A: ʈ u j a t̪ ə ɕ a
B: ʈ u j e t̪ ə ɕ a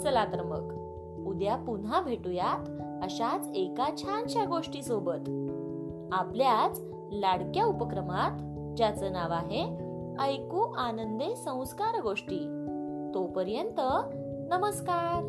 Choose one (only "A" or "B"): A